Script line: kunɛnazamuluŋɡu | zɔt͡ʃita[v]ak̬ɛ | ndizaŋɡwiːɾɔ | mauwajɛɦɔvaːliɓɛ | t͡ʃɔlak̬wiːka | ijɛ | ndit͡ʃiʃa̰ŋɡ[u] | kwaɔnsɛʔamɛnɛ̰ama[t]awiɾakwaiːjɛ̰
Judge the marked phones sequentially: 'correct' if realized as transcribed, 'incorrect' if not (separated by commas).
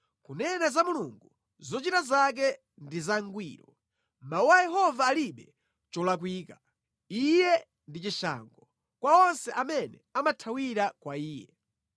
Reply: incorrect, incorrect, incorrect